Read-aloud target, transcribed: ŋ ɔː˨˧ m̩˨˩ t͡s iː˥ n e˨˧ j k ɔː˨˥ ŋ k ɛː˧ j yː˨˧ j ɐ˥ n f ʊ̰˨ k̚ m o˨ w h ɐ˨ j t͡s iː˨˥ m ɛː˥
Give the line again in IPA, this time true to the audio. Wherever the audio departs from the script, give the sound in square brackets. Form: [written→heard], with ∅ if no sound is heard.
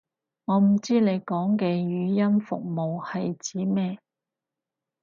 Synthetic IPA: ŋ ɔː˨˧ m̩˨˩ t͡s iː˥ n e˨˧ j k ɔː˨˥ ŋ k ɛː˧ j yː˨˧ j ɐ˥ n f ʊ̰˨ k̚ m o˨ w h ɐ˨ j t͡s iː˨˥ m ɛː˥